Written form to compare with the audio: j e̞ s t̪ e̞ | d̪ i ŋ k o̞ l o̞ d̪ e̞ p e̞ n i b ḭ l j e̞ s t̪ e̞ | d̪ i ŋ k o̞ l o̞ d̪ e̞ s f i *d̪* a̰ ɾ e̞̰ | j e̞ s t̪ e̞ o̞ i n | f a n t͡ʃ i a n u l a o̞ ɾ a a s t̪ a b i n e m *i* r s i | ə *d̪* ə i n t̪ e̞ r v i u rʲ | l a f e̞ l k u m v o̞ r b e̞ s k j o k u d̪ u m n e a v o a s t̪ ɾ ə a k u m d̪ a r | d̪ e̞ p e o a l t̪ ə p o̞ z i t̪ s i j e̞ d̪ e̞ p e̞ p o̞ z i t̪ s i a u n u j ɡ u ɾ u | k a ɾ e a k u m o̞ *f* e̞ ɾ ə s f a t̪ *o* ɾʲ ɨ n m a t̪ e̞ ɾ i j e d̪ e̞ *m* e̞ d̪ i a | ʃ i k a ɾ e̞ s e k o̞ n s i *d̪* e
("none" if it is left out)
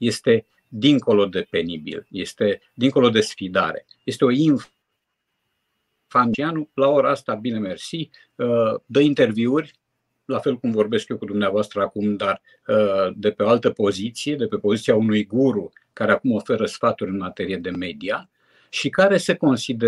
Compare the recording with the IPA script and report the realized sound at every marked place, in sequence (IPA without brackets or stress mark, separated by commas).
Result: d̪, e, d̪, f, u, m, d̪